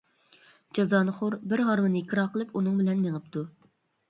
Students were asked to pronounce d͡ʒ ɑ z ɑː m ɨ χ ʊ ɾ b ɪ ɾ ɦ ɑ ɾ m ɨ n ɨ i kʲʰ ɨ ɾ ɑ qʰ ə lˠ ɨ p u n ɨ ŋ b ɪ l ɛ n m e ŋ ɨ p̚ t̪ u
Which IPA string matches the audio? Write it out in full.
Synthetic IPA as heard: d͡ʒ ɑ z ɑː n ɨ χ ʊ ɾ b ɪ ɾ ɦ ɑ ɾ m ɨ n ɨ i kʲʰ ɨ ɾ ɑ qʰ ə lˠ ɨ p u n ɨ ŋ b ɪ l ɛ n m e ŋ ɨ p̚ t̪ u

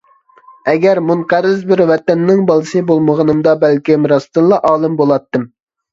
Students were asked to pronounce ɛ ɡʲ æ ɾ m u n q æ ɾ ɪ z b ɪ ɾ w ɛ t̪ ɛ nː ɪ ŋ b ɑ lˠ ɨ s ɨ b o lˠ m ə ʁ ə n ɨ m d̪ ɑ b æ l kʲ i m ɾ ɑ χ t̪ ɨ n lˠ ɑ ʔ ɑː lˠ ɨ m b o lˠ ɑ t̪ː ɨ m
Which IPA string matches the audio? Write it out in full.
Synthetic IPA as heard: ɛ ɡʲ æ ɾ m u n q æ ɾ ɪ z b ɪ ɾ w ɛ t̪ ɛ nː ɪ ŋ b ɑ lˠ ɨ s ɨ b o lˠ m ə ʁ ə n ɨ m d̪ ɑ b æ l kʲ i m ɾ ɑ s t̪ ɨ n lˠ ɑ ʔ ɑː lˠ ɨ m b o lˠ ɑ t̪ː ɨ m

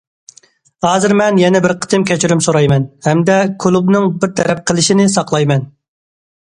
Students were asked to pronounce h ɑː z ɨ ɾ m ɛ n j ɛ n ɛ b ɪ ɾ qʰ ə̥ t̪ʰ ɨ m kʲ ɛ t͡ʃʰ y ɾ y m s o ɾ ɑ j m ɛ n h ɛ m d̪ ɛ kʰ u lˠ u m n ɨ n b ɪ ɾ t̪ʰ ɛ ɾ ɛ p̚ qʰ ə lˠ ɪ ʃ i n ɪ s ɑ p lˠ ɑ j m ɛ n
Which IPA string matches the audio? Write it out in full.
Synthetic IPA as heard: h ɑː z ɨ ɾ m ɛ n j ɛ n ɛ b ɪ ɾ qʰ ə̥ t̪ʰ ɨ m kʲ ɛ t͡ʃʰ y ɾ y m s o ɾ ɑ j m ɛ n h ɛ m d̪ ɛ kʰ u lˠ u b n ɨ ŋ b ɪ ɾ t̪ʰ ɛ ɾ ɛ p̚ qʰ ə lˠ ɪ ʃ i n ɪ s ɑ q lˠ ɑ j m ɛ n

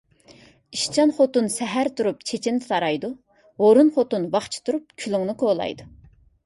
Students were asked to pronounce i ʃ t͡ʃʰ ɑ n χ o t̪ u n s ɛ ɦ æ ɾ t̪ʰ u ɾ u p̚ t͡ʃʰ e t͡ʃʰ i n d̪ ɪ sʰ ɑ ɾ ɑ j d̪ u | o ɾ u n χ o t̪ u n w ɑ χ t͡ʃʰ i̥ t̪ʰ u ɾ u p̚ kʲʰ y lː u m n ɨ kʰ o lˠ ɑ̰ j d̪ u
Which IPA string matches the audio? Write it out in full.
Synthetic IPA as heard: i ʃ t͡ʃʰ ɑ n χ o t̪ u n s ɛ ɦ æ ɾ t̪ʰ u ɾ u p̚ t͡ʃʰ e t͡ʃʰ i n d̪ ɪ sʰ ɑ ɾ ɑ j d̪ u | o ɾ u n χ o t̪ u n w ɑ χ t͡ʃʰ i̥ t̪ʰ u ɾ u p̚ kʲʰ y l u ŋ n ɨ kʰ o lˠ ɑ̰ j d̪ u

